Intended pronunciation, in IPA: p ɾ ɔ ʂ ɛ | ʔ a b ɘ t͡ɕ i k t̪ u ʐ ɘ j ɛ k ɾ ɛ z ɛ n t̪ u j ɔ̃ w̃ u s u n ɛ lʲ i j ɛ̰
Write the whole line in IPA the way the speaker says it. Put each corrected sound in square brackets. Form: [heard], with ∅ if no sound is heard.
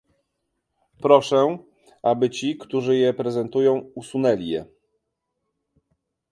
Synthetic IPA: p ɾ ɔ ʂ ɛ | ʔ a b ɘ t͡ɕ i k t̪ u ʐ ɘ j ɛ [p] ɾ ɛ z ɛ n t̪ u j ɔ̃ w̃ u s u n ɛ lʲ i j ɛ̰